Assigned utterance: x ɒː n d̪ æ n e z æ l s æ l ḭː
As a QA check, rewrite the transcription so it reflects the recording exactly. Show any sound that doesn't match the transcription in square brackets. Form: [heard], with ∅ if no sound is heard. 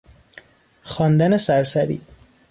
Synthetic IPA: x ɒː n d̪ æ n e [s] æ [ɾ] s æ [ɾ] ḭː

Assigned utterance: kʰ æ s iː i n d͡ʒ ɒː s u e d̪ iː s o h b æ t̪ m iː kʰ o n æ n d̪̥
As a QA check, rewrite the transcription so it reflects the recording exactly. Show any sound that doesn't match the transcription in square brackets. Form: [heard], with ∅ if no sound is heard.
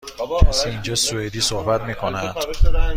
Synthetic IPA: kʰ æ s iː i n d͡ʒ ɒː s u e d̪ iː s o h b æ t̪ m iː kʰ o n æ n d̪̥

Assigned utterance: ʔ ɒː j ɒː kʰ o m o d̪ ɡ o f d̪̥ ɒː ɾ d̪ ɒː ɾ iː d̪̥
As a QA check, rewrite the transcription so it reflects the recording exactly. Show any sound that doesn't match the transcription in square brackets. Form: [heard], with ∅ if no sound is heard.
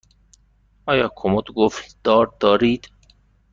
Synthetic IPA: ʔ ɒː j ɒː kʰ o m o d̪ ɡ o f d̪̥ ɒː ɾ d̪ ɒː ɾ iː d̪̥

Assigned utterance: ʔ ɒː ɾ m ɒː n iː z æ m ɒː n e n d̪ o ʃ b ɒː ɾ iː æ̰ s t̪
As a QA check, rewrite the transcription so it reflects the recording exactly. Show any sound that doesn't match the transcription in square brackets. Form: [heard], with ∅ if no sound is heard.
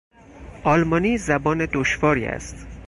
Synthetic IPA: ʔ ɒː [l] m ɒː n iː z æ [b] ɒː n e [∅] d̪ o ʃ [v] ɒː ɾ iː æ̰ s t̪

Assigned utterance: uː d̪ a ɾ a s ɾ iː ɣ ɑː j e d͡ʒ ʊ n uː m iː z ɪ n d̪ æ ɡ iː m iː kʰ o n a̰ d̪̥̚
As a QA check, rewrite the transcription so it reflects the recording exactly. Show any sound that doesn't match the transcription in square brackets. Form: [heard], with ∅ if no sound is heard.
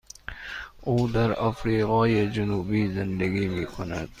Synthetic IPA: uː d̪ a ɾ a [f] ɾ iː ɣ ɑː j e d͡ʒ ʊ n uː [b] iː z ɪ n d̪ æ ɡ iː m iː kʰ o n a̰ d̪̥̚

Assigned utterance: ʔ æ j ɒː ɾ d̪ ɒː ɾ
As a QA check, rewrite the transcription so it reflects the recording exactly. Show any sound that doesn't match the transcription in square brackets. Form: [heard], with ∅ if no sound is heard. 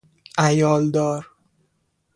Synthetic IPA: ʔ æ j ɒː [l] d̪ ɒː ɾ

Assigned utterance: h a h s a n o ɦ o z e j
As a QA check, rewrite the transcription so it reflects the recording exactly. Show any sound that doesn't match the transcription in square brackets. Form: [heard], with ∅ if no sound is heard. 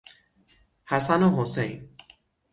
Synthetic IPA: h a [∅] s a n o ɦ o [s] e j

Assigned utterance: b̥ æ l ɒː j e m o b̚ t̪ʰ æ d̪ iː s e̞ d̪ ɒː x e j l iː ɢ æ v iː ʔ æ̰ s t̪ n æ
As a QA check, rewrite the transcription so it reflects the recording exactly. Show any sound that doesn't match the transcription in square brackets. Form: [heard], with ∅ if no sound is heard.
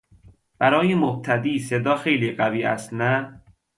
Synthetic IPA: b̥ æ [ɾ] ɒː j e m o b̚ t̪ʰ æ d̪ iː s e̞ d̪ ɒː x e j l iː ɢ æ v iː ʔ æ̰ s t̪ n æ

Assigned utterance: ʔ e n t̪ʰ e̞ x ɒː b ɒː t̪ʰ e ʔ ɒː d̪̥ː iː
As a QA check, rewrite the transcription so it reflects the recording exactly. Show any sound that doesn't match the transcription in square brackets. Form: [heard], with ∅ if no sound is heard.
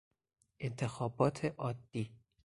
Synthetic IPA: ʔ e n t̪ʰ e̞ x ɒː b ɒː t̪ʰ e ʔ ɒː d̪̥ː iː

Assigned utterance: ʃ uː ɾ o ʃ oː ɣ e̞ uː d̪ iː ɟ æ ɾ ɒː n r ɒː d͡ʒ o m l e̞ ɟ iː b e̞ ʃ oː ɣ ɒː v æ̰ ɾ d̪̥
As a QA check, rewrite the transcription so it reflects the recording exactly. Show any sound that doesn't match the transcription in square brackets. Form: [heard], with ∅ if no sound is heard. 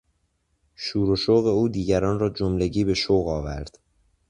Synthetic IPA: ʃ uː ɾ o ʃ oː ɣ e̞ uː d̪ iː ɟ æ ɾ ɒː n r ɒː d͡ʒ o m l e̞ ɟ iː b e̞ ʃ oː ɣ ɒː v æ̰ ɾ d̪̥

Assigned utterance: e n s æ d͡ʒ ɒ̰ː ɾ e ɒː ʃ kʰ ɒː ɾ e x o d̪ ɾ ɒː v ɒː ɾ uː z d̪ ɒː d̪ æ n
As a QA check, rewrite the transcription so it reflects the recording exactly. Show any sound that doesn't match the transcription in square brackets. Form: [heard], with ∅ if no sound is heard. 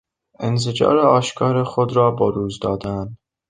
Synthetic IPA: e n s [e] d͡ʒ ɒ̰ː ɾ e ɒː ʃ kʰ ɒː ɾ e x o d̪ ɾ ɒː [b] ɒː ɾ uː z d̪ ɒː d̪ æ n

